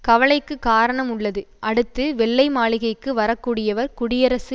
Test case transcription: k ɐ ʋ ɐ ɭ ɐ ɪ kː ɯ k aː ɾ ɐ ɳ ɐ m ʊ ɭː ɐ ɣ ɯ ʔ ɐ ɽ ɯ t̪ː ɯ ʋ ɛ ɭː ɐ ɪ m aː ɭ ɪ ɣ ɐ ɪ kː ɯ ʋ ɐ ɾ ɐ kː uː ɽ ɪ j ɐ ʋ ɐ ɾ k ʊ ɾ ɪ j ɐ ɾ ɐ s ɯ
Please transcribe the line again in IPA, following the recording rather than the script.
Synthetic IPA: k ɐ ʋ ɐ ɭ ɐ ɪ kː ɯ k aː ɾ ɐ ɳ ɐ m ʊ ɭː ɐ ð ɯ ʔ ɐ ɽ ɯ t̪ː ɯ ʋ ɛ ɭː ɐ ɪ m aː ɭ ɪ ɣ ɐ ɪ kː ɯ ʋ ɐ ɾ ɐ kː uː ɽ ɪ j ɐ ʋ ɐ ɾ k ʊ ɽ ɪ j ɐ ɾ ɐ s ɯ